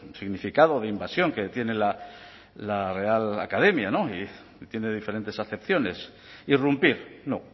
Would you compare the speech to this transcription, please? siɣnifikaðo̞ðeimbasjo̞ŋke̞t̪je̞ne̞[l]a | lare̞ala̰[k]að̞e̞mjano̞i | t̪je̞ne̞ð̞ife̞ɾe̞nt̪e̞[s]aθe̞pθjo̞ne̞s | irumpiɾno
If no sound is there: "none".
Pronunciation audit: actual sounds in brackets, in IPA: l, k, s

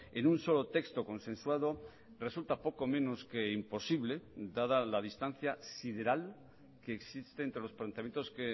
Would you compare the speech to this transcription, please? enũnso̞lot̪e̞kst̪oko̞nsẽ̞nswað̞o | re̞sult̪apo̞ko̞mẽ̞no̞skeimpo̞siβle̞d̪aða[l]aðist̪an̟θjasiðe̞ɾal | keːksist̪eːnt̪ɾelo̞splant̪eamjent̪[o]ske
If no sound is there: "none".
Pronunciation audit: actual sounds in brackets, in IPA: l, o

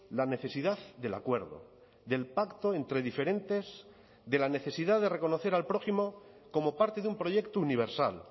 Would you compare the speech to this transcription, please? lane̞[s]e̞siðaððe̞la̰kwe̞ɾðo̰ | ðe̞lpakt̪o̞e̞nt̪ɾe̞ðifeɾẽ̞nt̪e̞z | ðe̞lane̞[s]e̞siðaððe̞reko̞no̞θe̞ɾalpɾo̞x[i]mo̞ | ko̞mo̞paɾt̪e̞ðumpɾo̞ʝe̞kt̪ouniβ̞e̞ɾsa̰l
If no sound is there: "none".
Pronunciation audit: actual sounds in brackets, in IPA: θ, θ, i

